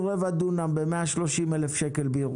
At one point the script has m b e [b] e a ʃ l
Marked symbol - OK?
no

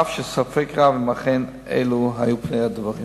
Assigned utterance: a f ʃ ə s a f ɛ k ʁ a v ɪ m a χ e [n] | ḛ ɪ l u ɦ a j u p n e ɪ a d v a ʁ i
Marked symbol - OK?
yes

